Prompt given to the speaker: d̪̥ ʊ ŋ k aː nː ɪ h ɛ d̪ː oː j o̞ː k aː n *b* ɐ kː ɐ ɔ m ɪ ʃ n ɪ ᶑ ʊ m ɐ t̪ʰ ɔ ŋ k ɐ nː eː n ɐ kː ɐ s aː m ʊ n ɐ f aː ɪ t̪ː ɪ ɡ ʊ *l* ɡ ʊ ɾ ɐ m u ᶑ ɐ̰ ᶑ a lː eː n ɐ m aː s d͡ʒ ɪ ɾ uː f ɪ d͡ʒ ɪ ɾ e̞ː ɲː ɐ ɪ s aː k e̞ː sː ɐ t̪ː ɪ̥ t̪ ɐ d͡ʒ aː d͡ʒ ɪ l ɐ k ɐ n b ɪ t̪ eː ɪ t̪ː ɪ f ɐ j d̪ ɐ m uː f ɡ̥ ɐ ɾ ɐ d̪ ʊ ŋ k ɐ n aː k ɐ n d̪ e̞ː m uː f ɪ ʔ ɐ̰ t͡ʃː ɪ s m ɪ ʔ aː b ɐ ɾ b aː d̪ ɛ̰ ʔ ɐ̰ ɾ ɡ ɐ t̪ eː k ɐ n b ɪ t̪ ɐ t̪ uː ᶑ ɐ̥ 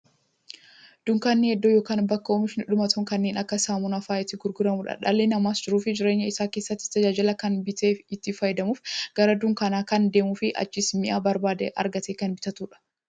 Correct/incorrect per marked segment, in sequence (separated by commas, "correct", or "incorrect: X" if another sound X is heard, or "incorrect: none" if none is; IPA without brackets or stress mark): correct, incorrect: ɾ